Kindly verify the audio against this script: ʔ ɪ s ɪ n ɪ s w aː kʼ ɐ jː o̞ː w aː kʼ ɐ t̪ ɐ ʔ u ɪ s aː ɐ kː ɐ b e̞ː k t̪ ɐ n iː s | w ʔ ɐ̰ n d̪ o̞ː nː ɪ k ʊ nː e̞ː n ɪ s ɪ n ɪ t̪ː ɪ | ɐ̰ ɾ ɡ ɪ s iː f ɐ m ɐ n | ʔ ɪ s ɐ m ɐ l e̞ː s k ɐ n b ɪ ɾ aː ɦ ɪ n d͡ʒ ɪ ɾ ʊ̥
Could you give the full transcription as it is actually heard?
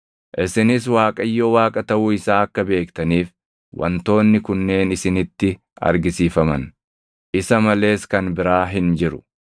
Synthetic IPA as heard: ʔ ɪ s ɪ n ɪ s w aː kʼ ɐ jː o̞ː w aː kʼ ɐ t̪ ɐ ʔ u ɪ s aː ɐ kː ɐ b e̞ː k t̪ ɐ n iː f | w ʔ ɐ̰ n t̪ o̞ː nː ɪ k ʊ nː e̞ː n ɪ s ɪ n ɪ t̪ː ɪ | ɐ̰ ɾ ɡ ɪ s iː f ɐ m ɐ n | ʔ ɪ s ɐ m ɐ l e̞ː s k ɐ n b ɪ ɾ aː ɦ ɪ n d͡ʒ ɪ ɾ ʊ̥